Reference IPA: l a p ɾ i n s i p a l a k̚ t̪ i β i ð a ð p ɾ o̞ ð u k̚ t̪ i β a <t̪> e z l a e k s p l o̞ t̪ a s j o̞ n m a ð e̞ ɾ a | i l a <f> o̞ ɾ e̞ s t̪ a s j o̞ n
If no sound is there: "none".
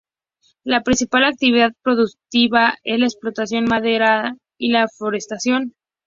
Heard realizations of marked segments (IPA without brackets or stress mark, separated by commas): none, f